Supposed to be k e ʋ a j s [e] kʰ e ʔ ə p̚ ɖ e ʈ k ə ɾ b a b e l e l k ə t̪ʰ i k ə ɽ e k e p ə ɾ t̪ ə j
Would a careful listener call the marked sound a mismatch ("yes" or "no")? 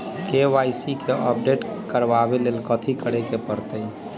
yes